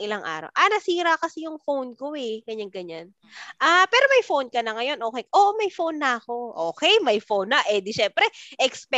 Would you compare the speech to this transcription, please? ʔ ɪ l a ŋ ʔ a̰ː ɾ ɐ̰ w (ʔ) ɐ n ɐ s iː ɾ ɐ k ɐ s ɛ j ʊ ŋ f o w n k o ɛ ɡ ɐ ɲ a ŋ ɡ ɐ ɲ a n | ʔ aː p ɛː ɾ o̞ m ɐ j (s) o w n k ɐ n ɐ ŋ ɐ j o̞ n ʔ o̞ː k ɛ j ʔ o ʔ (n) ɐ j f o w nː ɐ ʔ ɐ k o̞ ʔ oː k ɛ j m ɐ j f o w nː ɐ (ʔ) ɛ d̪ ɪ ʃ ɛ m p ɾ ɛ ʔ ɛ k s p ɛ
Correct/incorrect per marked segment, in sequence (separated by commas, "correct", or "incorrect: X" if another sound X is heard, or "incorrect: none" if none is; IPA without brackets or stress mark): correct, incorrect: f, incorrect: m, correct